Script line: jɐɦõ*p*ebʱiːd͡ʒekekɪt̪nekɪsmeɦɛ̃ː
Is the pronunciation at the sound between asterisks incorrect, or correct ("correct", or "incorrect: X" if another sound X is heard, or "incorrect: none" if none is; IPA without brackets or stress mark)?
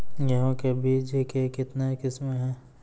incorrect: k